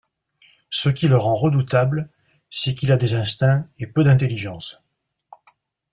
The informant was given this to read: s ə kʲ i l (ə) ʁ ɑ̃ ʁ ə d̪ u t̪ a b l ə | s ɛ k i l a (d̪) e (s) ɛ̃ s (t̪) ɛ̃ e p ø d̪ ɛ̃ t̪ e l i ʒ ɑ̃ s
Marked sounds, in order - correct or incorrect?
correct, correct, incorrect: z, correct

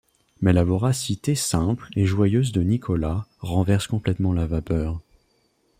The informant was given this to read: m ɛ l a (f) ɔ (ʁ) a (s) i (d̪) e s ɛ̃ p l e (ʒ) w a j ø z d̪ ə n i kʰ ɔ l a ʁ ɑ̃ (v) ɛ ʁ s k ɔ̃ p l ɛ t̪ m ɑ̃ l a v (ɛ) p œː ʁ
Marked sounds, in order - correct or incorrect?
incorrect: v, correct, correct, incorrect: t̪, correct, correct, incorrect: a

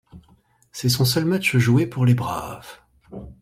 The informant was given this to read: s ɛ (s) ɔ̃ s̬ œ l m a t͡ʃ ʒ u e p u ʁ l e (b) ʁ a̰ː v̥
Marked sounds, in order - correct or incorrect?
correct, correct

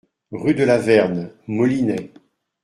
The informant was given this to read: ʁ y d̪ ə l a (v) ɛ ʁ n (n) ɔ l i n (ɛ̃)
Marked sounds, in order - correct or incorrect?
correct, incorrect: m, incorrect: ɛ

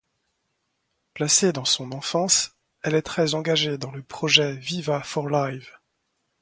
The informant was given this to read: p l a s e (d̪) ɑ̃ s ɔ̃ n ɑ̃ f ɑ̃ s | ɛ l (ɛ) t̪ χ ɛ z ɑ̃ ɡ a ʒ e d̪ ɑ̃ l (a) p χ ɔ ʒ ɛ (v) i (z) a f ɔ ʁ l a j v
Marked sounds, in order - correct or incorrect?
correct, correct, incorrect: ə, correct, incorrect: v

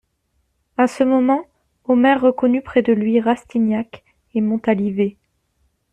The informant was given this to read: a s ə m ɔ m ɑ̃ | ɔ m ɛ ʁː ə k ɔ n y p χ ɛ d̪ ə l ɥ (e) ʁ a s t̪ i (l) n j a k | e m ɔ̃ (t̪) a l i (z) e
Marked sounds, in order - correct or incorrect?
incorrect: i, incorrect: none, correct, incorrect: v

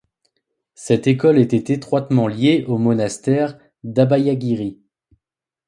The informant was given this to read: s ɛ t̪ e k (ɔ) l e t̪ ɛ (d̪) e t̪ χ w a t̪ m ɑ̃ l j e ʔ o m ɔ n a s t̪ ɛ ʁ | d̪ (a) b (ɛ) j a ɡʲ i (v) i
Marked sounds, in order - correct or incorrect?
correct, incorrect: t̪, correct, incorrect: a, incorrect: ʁ

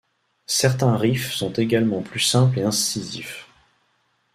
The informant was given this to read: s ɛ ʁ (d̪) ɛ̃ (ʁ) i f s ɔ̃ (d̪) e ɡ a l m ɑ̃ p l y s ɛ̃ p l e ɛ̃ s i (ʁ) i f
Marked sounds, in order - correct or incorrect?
incorrect: t̪, correct, incorrect: t̪, incorrect: z

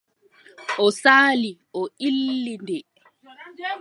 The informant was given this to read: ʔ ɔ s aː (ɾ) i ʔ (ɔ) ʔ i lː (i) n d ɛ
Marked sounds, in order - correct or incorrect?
incorrect: l, correct, correct

